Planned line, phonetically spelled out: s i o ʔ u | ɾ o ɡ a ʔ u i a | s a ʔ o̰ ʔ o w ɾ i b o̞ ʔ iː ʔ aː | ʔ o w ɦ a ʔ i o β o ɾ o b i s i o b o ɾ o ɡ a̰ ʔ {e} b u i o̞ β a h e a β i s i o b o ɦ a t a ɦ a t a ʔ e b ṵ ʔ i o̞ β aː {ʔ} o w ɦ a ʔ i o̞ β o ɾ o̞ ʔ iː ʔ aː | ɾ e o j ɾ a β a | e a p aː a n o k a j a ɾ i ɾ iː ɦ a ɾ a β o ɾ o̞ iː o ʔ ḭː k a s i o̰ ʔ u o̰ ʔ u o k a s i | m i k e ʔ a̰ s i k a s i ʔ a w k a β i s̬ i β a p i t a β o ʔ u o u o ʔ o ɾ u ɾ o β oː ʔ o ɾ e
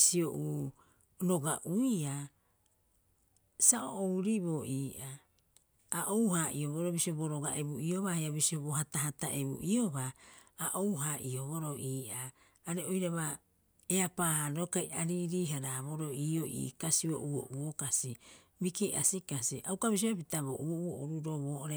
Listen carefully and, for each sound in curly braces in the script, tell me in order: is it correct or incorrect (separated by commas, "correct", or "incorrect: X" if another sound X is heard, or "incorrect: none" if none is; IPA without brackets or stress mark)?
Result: correct, correct